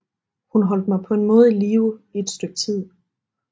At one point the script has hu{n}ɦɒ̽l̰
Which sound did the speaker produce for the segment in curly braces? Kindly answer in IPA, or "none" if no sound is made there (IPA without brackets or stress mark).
n